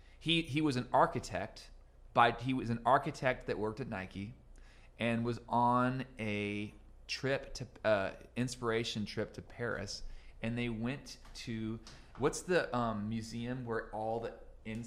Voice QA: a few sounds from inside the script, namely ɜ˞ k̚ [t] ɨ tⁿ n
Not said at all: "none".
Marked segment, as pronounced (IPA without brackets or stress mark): t